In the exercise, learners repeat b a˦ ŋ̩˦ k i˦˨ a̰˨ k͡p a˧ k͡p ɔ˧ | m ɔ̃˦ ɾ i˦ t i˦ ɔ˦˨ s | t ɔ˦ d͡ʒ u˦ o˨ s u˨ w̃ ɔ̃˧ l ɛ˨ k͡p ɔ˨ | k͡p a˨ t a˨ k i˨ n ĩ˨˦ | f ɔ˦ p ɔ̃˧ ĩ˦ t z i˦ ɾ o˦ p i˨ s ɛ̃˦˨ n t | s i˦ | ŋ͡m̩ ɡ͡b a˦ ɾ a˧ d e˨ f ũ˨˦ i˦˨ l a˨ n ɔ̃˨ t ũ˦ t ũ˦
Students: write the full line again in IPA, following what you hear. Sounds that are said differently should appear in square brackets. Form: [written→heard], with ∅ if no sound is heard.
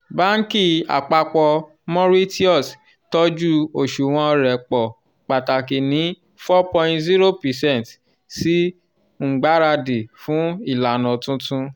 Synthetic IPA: b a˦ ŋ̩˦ k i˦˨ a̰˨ k͡p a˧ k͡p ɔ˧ | m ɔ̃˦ ɾ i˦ t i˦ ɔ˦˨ s | t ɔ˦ d͡ʒ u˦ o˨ [s→ʃ] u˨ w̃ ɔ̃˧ [l→ɾ] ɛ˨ k͡p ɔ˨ | k͡p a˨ t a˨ k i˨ n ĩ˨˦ | f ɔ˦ p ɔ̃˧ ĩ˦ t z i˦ ɾ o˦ p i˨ s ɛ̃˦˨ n t | s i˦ | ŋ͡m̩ ɡ͡b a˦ ɾ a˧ d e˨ f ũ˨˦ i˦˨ l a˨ n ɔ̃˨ t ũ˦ t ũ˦